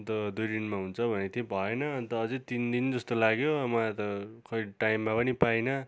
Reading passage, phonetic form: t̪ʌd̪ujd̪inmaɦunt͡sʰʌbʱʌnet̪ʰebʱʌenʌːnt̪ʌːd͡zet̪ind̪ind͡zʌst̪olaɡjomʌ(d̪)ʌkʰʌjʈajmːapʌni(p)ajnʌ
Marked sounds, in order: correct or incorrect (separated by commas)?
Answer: incorrect, correct